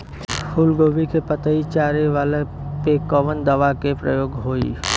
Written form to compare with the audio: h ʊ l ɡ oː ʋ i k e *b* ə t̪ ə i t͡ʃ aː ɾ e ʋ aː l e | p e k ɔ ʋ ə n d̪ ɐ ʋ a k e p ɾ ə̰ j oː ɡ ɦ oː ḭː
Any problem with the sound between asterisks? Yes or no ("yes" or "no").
yes